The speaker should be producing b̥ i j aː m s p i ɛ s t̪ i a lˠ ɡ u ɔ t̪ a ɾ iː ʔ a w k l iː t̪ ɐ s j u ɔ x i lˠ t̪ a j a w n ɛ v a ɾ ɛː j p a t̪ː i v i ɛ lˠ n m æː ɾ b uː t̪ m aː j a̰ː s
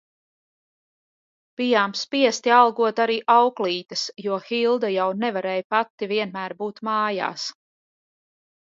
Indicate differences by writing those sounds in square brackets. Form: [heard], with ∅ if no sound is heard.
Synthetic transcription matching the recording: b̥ i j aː m s p i ɛ s t̪ i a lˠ ɡ u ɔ t̪ a ɾ iː ʔ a w k l iː t̪ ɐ s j u ɔ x i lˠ [d̪] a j a w n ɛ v a ɾ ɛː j p a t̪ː i v i ɛ [∅] n m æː ɾ b uː t̪ m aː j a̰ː s